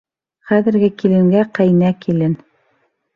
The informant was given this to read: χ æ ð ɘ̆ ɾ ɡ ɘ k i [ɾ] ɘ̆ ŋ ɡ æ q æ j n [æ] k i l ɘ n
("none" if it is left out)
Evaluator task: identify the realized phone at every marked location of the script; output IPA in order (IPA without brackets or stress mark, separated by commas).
l, æ